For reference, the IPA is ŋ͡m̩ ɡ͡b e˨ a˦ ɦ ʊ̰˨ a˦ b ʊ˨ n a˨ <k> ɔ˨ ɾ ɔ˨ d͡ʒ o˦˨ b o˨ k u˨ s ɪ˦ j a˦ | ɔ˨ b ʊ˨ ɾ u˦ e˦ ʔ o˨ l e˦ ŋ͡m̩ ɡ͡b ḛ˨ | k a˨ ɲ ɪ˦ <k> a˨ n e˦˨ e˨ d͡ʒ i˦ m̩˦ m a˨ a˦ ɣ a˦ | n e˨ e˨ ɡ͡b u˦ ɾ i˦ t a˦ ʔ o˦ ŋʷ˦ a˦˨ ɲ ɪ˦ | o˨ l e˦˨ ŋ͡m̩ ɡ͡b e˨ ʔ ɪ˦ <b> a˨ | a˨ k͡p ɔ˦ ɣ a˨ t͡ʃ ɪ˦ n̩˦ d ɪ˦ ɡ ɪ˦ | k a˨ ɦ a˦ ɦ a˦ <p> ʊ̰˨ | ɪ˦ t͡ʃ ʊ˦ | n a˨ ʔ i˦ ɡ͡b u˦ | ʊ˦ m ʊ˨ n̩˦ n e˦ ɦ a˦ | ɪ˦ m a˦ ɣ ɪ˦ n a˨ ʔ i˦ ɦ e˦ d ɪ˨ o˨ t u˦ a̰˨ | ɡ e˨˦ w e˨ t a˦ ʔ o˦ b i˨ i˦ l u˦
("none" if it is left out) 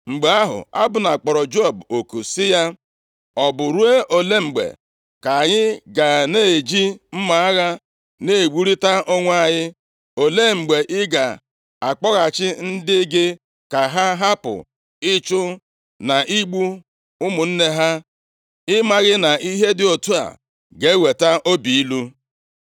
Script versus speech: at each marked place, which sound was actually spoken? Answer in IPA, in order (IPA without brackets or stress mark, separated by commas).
k͡p, ɡ, ɡ, p